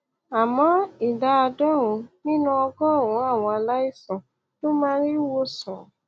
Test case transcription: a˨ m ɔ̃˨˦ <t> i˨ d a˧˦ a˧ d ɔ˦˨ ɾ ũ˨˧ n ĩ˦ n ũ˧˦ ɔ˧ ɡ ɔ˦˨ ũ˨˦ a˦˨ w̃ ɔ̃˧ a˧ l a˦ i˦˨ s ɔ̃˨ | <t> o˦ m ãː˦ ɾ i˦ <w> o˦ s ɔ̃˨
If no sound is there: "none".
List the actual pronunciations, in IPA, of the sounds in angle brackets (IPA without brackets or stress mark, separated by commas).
none, t, w